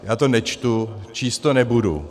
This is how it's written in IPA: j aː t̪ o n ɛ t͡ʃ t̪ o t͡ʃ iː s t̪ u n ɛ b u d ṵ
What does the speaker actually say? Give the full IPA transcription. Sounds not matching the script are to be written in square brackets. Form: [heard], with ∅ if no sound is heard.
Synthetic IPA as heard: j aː t̪ o n ɛ t͡ʃ t̪ [u] t͡ʃ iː s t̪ [o] n ɛ b u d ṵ